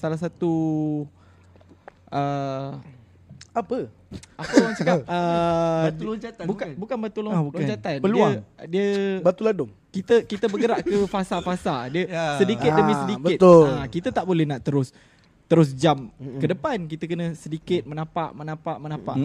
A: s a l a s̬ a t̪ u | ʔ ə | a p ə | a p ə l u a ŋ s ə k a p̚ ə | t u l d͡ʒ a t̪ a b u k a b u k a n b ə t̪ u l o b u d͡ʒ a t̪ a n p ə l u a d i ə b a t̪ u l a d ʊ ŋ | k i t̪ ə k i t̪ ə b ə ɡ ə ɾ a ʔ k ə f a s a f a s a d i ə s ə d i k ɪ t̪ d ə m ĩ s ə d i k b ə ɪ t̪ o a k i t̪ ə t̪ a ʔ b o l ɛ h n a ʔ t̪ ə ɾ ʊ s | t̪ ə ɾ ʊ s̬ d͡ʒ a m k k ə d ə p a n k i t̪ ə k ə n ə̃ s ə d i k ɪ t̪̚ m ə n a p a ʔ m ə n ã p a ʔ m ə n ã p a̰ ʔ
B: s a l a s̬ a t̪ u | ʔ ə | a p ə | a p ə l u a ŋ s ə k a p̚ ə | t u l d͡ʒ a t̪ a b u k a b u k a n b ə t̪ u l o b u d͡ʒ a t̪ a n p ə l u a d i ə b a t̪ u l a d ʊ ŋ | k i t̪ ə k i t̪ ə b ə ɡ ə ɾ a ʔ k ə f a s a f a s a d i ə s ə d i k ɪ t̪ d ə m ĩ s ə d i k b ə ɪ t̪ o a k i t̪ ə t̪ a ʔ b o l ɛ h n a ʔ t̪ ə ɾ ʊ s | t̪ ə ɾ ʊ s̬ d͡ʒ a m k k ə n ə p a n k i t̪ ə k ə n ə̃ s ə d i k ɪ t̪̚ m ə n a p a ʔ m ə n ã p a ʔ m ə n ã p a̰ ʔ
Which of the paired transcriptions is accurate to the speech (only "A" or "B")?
A